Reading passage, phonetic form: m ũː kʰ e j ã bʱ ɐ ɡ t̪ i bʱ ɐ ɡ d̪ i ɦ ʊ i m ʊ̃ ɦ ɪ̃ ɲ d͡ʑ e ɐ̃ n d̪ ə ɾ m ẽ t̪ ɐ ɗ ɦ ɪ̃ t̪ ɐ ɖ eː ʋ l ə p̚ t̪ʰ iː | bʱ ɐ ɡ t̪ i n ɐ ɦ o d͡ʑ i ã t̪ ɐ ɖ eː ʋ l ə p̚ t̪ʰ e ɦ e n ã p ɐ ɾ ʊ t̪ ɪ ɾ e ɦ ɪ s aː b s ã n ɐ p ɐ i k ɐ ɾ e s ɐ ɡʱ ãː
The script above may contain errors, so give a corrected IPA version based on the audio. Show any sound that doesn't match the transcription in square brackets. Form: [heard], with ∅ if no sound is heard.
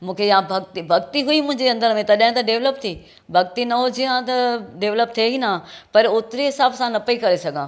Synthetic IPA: m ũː kʰ e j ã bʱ ɐ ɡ t̪ i bʱ ɐ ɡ [t̪] i ɦ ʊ i m ʊ̃ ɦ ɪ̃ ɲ d͡ʑ e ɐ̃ n d̪ ə ɾ m ẽ t̪ ɐ ɗ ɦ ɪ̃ t̪ ɐ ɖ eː ʋ l ə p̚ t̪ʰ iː | bʱ ɐ ɡ t̪ i n ɐ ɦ o d͡ʑ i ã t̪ ɐ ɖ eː ʋ l ə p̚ t̪ʰ e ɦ [i] n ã p ɐ ɾ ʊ t̪ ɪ ɾ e ɦ ɪ s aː b s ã n ɐ p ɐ i k ɐ ɾ e s ɐ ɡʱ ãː